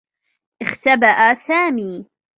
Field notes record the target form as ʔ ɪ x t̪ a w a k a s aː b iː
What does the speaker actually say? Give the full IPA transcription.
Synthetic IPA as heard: ʔ ɪ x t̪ a b a ʔ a s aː m iː